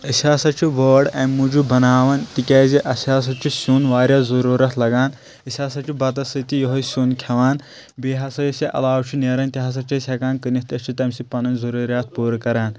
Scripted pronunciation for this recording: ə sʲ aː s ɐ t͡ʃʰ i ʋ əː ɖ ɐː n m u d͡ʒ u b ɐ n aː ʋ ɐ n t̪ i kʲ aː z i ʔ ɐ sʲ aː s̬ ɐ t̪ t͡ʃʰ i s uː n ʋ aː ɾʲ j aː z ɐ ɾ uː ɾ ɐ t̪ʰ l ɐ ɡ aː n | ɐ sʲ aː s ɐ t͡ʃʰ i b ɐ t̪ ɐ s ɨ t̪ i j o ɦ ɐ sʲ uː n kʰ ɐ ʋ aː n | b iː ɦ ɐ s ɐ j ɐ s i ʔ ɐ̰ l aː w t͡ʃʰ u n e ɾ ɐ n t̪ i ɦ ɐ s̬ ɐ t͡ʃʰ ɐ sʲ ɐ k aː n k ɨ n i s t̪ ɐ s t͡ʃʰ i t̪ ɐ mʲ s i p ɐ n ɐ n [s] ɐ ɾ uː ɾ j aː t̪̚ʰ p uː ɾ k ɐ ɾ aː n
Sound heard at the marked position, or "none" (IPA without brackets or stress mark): z